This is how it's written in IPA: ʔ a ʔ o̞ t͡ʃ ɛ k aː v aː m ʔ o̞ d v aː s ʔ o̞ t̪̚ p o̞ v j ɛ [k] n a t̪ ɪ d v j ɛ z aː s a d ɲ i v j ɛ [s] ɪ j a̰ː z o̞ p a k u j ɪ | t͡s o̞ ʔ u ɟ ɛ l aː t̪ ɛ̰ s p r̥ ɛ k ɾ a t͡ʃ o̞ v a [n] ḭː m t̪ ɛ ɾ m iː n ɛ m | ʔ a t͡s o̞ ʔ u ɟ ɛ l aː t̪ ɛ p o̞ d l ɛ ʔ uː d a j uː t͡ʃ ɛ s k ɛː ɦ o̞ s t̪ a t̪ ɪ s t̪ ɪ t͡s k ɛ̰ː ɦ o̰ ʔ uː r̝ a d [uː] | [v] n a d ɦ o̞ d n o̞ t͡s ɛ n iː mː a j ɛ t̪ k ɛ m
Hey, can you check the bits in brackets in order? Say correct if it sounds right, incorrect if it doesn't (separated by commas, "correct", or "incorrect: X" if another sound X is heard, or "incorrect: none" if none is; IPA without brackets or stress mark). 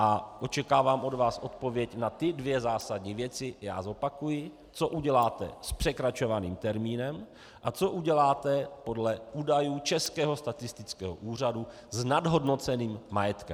incorrect: c, incorrect: t͡s, correct, incorrect: u, incorrect: z